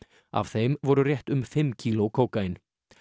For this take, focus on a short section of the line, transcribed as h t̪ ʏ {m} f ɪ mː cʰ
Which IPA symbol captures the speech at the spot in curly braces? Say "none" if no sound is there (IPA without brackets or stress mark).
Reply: m